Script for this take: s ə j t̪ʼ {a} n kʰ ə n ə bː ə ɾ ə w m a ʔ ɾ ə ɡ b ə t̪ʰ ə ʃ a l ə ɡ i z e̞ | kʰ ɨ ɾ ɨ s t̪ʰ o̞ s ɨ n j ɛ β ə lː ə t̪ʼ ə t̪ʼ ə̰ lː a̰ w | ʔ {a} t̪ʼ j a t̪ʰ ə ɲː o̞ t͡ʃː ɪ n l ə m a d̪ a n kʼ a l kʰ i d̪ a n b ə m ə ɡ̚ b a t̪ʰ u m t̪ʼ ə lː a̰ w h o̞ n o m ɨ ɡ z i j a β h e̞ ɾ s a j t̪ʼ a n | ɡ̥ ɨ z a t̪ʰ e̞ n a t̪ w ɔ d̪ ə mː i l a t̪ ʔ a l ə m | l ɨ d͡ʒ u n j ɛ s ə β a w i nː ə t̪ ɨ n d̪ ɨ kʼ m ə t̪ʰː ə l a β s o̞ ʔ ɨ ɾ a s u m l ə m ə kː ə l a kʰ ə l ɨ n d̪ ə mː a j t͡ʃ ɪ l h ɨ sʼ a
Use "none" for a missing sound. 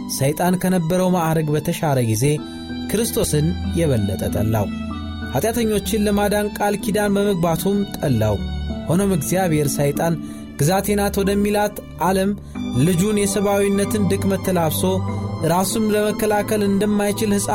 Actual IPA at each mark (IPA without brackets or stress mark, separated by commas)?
a, a